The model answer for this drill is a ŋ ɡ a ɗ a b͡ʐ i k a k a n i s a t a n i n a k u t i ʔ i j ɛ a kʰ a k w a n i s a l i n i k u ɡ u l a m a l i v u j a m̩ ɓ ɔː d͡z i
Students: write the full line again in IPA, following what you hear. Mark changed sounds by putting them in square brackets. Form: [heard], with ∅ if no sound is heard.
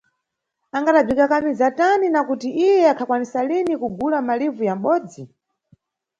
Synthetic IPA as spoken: a ŋ ɡ a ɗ a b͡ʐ i k a k a [m] i [z] a t a n i n a k u t i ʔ i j ɛ a kʰ a k w a n i s a l i n i k u ɡ u l a m a l i v u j a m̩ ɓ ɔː d͡z i